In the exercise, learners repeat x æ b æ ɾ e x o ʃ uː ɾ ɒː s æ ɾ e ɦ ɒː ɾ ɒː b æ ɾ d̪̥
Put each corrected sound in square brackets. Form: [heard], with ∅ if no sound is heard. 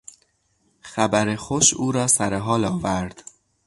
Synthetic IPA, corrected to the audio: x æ b æ ɾ e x o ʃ uː ɾ ɒː s æ ɾ e ɦ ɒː [l] ɒː [v] æ ɾ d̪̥

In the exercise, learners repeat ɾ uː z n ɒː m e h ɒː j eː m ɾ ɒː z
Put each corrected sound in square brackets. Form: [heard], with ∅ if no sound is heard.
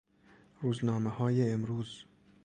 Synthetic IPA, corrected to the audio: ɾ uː z n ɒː m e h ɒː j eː m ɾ [uː] z

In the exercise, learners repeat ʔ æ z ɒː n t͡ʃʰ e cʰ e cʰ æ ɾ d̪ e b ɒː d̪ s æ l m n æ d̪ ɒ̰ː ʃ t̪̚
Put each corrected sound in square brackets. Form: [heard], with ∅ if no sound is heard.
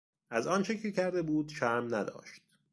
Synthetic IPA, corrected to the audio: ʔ æ z ɒː n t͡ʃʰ e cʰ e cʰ æ ɾ d̪ e b [uː] d̪ [ʃ] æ [ɾ] m n æ d̪ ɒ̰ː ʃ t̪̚

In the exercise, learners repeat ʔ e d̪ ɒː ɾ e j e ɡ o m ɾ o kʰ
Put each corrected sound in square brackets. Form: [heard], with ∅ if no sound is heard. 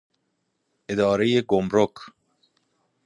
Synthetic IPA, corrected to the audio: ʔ e d̪ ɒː ɾ e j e ɡ o m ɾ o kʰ

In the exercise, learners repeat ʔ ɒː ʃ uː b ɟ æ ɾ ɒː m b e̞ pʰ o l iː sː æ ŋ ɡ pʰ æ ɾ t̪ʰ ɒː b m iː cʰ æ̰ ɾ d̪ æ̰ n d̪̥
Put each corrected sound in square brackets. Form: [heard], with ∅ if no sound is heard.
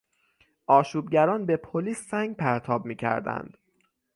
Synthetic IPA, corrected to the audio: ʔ ɒː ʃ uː b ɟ æ ɾ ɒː [n] b e̞ pʰ o l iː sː æ ŋ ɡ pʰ æ ɾ t̪ʰ ɒː b m iː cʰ æ̰ ɾ d̪ æ̰ n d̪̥

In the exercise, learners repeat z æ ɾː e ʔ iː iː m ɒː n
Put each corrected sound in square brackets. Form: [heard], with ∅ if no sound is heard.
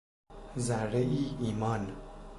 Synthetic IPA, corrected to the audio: z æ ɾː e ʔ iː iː m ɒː n

